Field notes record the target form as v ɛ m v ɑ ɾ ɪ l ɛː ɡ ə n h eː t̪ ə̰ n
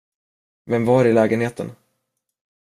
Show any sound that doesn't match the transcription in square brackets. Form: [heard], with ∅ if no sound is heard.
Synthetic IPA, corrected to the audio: v ɛ m v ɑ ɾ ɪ l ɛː ɡ ə n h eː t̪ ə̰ n